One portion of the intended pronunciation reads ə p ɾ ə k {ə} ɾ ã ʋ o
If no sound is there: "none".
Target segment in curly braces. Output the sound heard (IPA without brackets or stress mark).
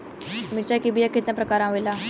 a